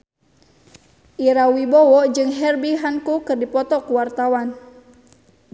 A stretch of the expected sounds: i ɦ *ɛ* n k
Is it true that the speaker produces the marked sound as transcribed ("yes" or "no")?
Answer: no